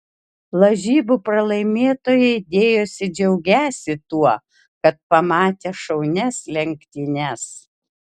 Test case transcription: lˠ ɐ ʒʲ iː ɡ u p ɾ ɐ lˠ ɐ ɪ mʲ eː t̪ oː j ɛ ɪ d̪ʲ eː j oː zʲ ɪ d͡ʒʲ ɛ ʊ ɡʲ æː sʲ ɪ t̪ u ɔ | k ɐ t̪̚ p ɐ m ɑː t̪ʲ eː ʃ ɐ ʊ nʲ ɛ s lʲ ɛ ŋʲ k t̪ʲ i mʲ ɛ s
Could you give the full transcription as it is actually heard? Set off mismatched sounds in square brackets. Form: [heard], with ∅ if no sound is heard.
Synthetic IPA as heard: lˠ ɐ ʒʲ iː [b] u p ɾ ɐ lˠ ɐ ɪ mʲ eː t̪ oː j ɛ ɪ d̪ʲ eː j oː [sʲ] ɪ d͡ʒʲ ɛ ʊ ɡʲ æː sʲ ɪ t̪ u ɔ | k ɐ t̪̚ p ɐ m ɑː t̪ʲ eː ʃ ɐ ʊ nʲ ɛ s lʲ ɛ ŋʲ k t̪ʲ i [nʲ] ɛ s